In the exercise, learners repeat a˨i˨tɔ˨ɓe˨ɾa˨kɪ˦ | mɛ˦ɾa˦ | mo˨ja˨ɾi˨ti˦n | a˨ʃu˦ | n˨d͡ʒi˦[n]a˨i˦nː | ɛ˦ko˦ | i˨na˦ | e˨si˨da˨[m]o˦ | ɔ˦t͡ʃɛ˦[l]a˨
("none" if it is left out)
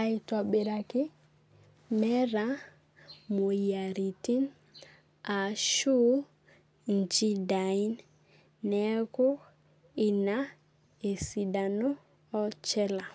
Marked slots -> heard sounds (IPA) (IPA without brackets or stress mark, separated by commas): d, n, l